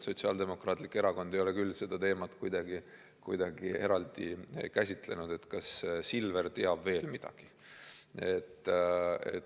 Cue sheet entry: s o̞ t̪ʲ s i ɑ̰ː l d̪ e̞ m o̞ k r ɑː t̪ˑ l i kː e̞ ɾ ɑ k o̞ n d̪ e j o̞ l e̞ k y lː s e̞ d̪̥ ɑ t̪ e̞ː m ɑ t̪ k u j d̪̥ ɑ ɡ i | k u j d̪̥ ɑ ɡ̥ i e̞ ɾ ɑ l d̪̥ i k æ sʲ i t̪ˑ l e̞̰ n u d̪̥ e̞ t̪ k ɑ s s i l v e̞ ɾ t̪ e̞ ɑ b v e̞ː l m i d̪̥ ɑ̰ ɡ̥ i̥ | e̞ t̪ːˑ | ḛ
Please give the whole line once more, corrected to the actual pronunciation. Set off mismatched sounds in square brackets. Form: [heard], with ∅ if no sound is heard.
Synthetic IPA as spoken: s o̞ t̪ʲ s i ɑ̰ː l d̪ e̞ m o̞ k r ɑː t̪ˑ l i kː e̞ ɾ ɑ k o̞ n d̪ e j o̞ l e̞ k y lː s e̞ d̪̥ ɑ t̪ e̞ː m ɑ t̪ k u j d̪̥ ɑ ɡ i | k u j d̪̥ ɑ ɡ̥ i e̞ ɾ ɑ l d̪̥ i k æ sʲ i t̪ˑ l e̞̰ n u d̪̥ e̞ t̪ k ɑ s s i l v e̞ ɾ t̪ e̞ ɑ b v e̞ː l m i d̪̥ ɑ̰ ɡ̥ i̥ | e̞ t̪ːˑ | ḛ